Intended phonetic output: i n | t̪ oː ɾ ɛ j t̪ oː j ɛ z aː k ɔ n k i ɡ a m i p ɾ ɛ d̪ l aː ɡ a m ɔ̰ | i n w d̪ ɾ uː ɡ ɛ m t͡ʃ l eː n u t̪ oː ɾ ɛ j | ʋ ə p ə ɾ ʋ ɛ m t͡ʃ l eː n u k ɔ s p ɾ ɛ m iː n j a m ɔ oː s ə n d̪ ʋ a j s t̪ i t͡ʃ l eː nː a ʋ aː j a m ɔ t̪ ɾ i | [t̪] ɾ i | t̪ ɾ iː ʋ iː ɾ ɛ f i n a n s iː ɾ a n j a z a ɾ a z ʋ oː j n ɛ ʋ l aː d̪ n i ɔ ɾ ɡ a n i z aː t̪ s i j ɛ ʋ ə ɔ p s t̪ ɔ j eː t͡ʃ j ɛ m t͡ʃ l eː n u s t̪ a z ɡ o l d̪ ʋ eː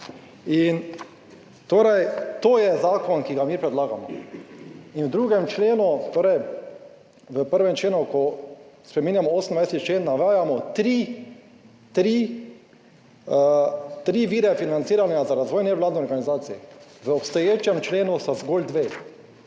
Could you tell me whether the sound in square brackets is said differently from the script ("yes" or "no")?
no